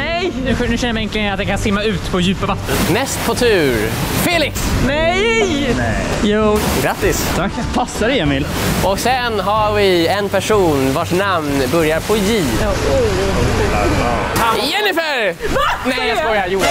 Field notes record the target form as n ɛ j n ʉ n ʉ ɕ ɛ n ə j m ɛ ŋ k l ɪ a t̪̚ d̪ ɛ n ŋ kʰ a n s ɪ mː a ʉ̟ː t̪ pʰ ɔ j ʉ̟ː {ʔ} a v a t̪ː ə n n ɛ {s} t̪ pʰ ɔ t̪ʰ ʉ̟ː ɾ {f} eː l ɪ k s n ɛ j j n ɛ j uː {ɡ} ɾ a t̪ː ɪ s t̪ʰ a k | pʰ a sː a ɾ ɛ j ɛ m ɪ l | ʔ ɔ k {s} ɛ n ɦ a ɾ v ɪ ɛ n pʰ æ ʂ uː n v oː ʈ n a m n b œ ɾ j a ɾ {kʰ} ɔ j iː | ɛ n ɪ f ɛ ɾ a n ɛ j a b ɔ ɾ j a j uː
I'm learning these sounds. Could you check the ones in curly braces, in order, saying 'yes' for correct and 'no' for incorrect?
no, yes, yes, yes, yes, no

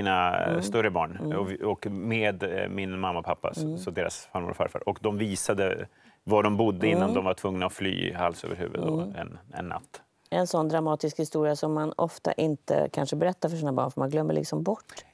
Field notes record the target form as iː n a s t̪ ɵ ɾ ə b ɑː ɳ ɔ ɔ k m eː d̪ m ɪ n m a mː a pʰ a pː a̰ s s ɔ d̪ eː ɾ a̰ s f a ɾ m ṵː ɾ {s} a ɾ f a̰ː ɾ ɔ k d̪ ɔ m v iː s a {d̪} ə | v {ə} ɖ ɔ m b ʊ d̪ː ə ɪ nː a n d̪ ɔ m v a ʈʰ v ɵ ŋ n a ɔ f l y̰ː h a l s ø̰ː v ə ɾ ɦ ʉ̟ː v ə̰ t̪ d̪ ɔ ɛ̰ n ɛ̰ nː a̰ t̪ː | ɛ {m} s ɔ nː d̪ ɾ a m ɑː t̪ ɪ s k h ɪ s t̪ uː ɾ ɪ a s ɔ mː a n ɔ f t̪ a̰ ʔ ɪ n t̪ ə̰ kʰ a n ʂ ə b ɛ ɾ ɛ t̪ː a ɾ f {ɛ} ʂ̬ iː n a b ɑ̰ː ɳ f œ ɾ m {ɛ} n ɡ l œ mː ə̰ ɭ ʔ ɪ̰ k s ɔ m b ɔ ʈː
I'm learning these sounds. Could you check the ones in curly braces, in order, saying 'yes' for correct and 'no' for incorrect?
no, yes, no, no, no, no

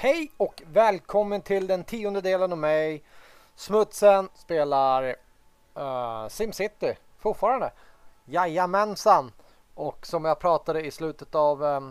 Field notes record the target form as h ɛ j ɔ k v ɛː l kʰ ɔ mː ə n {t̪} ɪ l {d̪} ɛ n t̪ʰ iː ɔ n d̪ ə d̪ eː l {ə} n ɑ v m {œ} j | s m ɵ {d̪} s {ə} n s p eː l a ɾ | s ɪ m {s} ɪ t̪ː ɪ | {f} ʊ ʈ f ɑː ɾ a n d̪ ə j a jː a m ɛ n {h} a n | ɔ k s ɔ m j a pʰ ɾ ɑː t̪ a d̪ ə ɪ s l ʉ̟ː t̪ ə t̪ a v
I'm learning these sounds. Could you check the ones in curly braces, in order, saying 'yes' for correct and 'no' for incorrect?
no, yes, yes, no, no, yes, yes, yes, no

